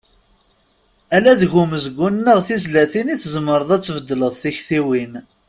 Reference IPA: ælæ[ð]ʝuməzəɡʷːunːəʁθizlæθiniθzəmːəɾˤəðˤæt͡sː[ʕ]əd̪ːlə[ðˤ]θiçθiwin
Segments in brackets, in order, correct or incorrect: correct, incorrect, correct

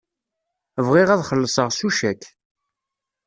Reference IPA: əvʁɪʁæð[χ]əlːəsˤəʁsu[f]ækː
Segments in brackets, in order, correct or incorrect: correct, incorrect

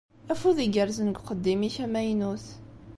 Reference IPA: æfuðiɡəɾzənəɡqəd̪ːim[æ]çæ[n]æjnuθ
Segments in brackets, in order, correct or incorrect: incorrect, incorrect

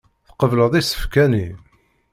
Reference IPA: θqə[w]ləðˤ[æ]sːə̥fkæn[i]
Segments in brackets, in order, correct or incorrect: incorrect, incorrect, correct

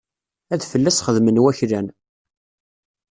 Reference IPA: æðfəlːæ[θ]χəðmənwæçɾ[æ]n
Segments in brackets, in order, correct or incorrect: incorrect, correct

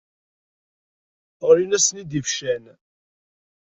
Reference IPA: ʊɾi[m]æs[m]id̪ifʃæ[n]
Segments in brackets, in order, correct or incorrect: incorrect, incorrect, correct

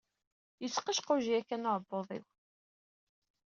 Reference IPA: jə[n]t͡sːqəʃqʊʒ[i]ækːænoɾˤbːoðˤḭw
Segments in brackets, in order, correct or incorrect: incorrect, correct

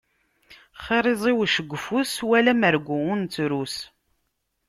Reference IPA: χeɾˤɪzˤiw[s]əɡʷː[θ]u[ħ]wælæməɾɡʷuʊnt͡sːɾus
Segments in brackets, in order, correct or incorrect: incorrect, incorrect, incorrect

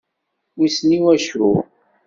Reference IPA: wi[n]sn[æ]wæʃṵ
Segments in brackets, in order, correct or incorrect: incorrect, incorrect

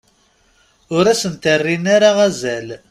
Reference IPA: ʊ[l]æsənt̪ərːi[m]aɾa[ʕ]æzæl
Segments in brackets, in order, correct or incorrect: incorrect, incorrect, incorrect

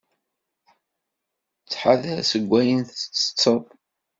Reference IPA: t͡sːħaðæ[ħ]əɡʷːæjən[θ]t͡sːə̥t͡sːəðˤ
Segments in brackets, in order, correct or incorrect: incorrect, correct

